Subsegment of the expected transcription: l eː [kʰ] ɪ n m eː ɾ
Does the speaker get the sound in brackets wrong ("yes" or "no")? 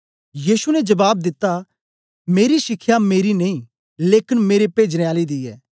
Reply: yes